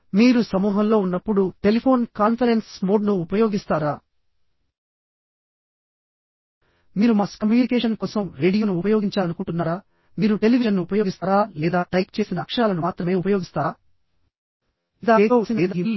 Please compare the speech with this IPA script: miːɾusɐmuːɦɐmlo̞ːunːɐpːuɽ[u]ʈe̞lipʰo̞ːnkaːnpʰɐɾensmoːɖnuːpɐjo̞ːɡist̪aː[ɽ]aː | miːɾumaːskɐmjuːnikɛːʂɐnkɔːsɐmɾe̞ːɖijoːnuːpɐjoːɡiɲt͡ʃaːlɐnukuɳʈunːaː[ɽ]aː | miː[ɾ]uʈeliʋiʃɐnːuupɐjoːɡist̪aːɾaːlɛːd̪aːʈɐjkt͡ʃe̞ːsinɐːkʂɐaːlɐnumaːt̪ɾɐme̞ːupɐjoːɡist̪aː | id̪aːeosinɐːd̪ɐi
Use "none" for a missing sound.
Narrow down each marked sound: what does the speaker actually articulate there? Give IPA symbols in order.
u, ɾ, ɾ, ɾ

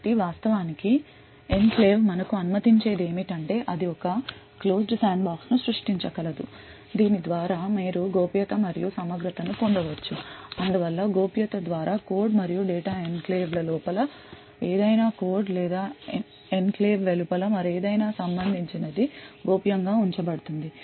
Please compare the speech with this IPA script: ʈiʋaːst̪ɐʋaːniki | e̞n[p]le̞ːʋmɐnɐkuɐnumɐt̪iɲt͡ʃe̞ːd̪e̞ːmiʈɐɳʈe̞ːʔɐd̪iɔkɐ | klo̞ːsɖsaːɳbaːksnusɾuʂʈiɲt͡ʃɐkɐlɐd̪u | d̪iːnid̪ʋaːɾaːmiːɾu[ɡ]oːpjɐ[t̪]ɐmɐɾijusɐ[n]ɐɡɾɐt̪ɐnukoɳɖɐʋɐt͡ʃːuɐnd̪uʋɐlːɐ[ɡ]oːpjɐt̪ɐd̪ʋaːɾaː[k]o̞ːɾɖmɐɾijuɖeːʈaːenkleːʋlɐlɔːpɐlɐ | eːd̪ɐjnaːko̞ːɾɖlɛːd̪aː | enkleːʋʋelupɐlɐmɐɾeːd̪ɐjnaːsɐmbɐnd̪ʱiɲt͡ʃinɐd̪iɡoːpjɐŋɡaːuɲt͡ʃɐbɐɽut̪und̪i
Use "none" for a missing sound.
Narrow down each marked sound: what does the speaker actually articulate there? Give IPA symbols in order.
k, ɡ, t̪, m, ɡ, k

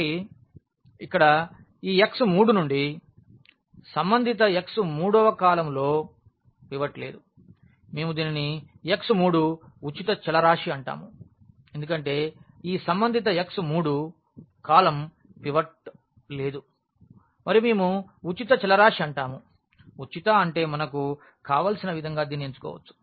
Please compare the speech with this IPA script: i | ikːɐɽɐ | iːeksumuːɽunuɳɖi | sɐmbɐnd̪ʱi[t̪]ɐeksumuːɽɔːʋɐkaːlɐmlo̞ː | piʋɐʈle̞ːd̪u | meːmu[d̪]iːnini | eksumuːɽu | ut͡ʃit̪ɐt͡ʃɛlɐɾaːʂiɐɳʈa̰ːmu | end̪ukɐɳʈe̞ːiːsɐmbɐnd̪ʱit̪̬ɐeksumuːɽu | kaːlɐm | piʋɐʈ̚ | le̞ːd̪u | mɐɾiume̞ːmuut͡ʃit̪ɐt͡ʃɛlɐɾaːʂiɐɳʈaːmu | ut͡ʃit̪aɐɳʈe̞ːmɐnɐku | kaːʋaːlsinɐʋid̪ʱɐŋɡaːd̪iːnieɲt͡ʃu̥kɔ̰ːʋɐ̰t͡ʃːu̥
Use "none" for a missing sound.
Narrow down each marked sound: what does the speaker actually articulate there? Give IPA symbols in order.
t̪, d̪

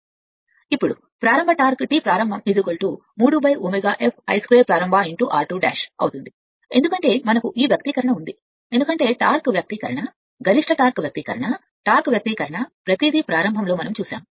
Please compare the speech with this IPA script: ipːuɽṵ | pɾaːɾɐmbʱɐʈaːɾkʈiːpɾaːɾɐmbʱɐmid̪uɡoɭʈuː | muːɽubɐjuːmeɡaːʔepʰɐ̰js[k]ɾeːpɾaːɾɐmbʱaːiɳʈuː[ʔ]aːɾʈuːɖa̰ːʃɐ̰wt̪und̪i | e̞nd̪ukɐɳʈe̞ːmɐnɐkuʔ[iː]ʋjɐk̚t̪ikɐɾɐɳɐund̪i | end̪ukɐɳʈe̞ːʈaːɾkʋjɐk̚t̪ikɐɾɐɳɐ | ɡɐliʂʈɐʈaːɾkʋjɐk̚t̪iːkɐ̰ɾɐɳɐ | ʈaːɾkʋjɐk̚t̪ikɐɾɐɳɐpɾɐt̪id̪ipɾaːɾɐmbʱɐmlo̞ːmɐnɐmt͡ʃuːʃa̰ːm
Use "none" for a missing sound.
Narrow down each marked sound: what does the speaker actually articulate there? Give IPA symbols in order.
k, ʔ, iː

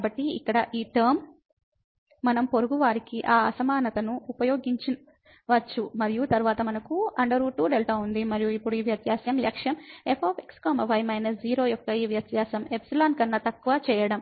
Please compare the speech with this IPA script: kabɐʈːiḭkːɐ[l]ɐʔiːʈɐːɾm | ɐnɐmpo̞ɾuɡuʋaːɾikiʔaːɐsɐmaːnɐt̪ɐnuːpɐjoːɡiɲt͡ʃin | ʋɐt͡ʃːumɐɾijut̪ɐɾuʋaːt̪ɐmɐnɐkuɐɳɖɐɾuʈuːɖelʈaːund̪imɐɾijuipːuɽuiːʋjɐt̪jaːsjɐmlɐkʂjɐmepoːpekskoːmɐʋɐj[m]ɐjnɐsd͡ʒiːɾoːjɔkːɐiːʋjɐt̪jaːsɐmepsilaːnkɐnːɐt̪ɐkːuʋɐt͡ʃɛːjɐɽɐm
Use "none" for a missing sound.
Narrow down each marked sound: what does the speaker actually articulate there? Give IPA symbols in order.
ɽ, m

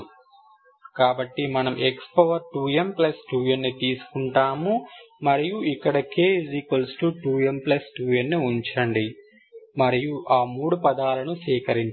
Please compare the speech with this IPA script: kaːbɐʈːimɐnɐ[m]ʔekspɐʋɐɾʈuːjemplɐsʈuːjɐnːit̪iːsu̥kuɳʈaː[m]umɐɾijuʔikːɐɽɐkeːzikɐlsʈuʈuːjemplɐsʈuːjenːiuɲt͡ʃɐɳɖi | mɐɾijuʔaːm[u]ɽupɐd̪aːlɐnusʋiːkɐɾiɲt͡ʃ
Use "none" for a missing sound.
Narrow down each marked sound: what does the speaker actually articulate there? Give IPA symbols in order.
m, m, uː

